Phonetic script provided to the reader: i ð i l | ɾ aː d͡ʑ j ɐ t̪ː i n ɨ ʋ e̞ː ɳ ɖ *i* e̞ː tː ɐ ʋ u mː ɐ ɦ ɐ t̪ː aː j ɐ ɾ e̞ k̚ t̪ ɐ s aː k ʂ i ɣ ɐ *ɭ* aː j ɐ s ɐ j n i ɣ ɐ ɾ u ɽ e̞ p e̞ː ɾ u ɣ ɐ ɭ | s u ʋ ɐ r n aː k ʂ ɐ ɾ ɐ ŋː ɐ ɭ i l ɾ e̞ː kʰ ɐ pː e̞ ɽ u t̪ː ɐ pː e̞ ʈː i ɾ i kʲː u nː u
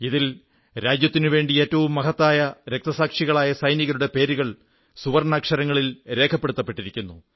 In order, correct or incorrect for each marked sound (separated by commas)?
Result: correct, correct